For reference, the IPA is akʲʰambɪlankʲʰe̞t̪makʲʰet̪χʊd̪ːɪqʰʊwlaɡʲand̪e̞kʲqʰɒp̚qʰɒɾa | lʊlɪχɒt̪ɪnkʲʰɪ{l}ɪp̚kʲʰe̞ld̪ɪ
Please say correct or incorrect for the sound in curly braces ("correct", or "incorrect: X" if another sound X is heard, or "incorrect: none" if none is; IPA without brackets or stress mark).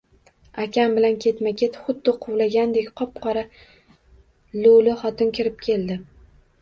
incorrect: ɾ